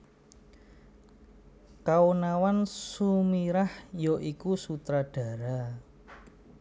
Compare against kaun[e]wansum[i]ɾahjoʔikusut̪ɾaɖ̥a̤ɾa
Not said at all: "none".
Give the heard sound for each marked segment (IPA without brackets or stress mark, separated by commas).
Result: a, i